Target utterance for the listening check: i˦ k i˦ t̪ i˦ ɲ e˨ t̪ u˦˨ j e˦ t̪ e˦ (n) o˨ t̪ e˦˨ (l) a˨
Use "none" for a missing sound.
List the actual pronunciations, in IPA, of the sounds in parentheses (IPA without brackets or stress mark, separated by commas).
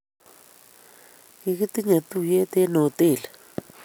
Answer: n, l